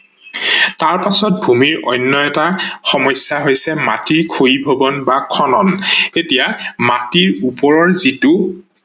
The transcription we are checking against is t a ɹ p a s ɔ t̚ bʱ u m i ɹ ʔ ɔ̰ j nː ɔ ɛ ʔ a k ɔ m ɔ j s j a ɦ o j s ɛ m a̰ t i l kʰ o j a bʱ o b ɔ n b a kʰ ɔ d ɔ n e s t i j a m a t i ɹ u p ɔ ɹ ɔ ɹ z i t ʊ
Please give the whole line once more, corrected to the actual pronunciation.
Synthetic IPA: t a ɹ p a s ɔ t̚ bʱ u m i ɹ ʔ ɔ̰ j nː ɔ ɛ t a x ɔ m ɔ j s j a ɦ o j s ɛ m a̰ t i ɹ kʰ o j i bʱ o b ɔ n b a kʰ ɔ n ɔ n e t i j a m a t i ɹ u p ɔ ɹ ɔ ɹ z i t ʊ